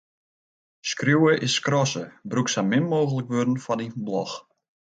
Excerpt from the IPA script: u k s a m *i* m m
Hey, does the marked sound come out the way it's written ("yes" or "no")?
no